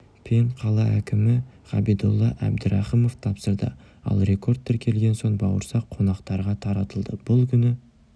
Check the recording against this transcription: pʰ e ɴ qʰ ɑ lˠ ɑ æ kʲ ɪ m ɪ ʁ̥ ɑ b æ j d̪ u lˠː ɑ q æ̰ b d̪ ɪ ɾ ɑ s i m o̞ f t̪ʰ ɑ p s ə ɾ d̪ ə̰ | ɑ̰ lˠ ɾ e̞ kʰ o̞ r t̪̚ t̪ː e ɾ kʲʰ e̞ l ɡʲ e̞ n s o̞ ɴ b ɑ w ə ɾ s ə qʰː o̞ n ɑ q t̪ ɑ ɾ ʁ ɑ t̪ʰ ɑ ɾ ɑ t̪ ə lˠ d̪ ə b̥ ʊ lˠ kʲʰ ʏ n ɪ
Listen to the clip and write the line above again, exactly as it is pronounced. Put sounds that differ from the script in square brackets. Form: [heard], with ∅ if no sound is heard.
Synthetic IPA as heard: pʰ e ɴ qʰ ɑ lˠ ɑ æ kʲ ɪ m ɪ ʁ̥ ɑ b [i] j d̪ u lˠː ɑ [ʔ] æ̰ b d̪ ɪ ɾ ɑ [χ] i m o̞ f t̪ʰ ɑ p s ə ɾ d̪ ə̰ | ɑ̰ lˠ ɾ e̞ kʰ o̞ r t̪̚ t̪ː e ɾ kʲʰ e̞ l ɡʲ e̞ n s o̞ ɴ b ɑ w ə ɾ s [ɑ] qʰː o̞ n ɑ q t̪ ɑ ɾ ʁ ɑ t̪ʰ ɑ ɾ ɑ t̪ ə lˠ d̪ ə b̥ ʊ lˠ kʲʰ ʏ n ɪ